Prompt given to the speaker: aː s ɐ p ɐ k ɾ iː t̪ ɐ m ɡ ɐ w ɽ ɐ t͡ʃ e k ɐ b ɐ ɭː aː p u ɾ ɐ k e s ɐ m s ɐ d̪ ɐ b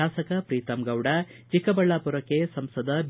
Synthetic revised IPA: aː s ɐ k ɐ p ɾ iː t̪ ɐ m ɡ ɐ w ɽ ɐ t͡ʃ i k ɐ b ɐ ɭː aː p u ɾ ɐ k e s ɐ m s ɐ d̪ ɐ b